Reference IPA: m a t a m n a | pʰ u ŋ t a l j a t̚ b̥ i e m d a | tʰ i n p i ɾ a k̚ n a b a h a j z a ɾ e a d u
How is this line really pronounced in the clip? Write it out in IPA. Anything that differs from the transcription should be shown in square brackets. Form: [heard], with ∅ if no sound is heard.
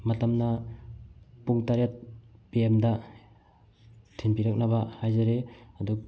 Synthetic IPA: m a t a m n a | [p] u ŋ t a [ɾ] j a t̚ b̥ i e m d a | tʰ i n p i ɾ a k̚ n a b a h a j z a ɾ e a d u